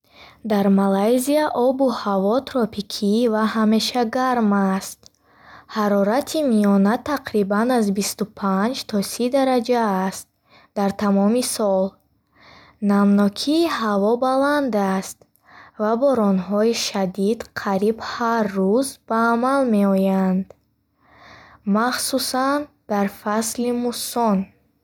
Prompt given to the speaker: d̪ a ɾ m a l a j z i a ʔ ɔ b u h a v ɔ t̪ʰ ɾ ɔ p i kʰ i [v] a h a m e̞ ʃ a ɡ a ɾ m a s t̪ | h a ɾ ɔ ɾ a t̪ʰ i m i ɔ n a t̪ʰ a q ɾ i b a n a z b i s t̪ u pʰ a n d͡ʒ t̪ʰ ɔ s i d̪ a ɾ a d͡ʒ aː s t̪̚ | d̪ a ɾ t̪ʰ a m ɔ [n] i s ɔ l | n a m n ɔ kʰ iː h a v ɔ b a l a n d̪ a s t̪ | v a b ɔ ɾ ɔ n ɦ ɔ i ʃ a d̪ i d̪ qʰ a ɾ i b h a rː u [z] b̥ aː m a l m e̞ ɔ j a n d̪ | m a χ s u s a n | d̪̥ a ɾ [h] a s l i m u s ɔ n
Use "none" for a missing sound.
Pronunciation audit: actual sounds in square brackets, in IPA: v, m, z, f

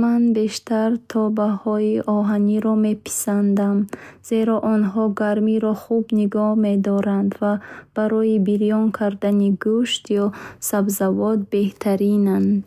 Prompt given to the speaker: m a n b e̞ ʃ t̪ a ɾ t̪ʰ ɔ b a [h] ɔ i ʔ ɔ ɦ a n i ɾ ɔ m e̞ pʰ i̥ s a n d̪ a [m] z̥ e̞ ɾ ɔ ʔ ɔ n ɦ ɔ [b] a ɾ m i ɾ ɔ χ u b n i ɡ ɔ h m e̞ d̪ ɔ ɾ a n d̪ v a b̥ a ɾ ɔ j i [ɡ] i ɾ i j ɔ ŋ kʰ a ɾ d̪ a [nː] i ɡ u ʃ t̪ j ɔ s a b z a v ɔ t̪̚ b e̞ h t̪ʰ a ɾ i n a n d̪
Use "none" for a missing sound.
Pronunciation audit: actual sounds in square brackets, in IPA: h, m, ɡ, b, n

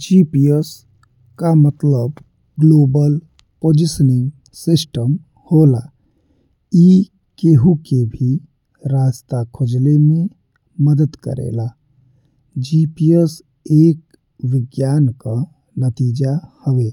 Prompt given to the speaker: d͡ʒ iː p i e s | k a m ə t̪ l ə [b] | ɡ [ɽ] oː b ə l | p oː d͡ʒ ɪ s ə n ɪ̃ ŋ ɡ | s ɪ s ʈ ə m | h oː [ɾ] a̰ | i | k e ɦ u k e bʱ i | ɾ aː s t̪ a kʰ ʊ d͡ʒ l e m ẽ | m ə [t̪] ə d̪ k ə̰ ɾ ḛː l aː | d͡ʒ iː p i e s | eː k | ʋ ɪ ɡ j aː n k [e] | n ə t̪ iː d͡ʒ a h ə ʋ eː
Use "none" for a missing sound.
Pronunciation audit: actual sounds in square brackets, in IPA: b, l, l, d̪, a

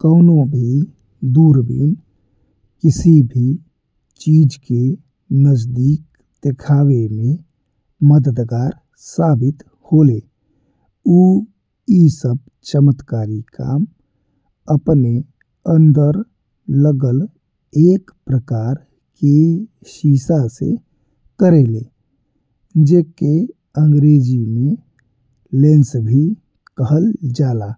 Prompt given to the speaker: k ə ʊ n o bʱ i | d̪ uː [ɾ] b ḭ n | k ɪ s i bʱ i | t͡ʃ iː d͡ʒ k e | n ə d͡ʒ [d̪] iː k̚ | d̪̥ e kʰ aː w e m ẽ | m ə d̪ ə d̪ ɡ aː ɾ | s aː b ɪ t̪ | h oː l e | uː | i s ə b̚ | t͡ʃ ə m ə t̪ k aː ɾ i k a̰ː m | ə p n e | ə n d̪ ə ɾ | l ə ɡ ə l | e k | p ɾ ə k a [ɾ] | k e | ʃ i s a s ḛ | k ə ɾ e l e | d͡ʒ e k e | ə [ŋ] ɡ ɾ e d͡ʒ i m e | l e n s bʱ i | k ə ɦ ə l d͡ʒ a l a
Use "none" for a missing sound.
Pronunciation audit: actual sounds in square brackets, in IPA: ɾ, d̪, ɾ, ŋ

